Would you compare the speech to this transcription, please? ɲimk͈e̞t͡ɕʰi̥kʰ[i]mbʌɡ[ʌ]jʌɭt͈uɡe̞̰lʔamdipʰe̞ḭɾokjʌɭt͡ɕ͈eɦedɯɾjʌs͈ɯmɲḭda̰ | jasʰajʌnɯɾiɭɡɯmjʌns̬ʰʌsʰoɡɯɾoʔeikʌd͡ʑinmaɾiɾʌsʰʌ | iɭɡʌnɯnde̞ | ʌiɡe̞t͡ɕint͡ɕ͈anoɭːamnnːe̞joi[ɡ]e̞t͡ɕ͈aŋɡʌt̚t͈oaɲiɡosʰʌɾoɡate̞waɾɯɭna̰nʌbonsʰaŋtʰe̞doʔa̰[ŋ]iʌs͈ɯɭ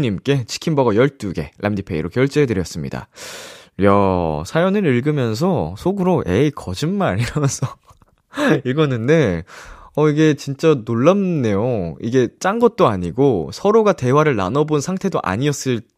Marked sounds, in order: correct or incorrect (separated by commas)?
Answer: correct, correct, correct, incorrect